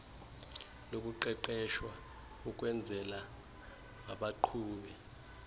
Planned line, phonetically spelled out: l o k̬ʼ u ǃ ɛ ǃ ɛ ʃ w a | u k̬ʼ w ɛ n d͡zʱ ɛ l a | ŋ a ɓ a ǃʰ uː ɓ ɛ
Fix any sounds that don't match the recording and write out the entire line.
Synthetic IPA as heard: l o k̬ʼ u ǃ ɛ ǃ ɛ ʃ w a | u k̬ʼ w ɛ n d͡zʱ ɛ l a | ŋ a ɓ a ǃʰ uː ɓ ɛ

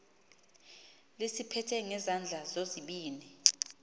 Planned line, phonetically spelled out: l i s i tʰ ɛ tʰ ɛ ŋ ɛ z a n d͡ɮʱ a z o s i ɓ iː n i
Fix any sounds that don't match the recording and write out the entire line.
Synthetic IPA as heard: l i s i pʰ ɛ tʰ ɛ ŋ ɛ z a n d͡ɮʱ a z o z i ɓ iː n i

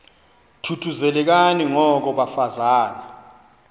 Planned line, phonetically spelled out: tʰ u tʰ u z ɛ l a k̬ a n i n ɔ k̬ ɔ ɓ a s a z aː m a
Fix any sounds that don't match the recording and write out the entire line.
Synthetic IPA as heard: tʰ u tʰ u z ɛ l ɛ k̬ a n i ŋ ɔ k̬ ɔ ɓ a f a z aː n a

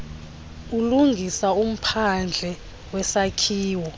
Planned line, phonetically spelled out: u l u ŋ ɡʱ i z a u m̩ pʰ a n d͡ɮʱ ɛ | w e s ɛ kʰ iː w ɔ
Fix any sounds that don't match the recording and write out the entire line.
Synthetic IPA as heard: u l u ŋ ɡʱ i s a u m̩ pʰ a n d͡ɮʱ ɛ | w ɛ s a kʰ iː w ɔ

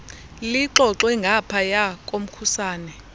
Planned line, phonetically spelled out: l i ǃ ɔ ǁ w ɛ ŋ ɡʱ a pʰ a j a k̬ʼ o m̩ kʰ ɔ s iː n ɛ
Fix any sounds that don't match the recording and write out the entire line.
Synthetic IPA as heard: l i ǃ ɔ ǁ w ɛ ŋ ɡʱ a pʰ a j a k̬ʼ o m̩ kʰ u s aː n ɛ

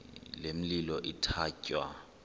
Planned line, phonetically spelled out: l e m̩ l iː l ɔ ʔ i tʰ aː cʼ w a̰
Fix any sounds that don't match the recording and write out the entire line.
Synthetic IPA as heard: l e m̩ l i l ɔ ʔ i tʰ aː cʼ w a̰

